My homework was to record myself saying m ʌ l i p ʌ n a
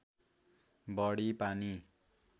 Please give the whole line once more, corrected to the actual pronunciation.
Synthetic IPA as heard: b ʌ ɽ i p a n i